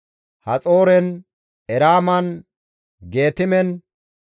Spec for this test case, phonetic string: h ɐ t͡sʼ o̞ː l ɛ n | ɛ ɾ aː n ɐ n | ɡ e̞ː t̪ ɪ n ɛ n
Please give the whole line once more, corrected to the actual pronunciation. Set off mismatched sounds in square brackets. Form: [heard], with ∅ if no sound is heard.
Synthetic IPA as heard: h ɐ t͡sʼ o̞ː [ɾ] ɛ n | ɛ ɾ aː [m] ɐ n | ɡ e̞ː t̪ ɪ [m] ɛ n